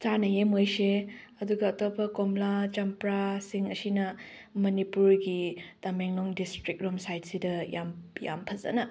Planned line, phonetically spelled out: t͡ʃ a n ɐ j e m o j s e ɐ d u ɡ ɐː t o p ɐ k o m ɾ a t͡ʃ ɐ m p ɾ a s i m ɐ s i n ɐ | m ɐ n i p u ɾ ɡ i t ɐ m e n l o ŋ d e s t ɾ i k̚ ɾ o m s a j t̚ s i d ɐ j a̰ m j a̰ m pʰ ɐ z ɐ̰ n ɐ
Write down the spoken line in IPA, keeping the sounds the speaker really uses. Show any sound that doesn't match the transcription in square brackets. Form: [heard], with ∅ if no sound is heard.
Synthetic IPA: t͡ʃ a n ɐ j e m o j s e ɐ d u ɡ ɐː t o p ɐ k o m [l] a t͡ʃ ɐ m p ɾ a s i [ŋ] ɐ s i n ɐ | m ɐ n i p u ɾ ɡ i t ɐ m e [ŋ] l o ŋ d [i] s t ɾ i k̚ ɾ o m s a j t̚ s i d ɐ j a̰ m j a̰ m pʰ ɐ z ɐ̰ n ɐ